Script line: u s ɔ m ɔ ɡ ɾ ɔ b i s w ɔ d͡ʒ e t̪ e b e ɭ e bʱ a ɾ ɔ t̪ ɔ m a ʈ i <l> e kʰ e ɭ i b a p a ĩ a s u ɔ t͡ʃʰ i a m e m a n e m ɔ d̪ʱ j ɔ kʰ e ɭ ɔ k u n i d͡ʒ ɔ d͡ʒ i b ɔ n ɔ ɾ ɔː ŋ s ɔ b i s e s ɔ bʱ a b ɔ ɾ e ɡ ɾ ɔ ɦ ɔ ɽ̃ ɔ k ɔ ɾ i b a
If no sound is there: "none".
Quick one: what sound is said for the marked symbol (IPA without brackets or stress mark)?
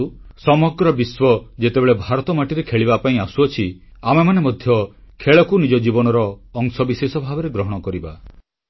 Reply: ɾ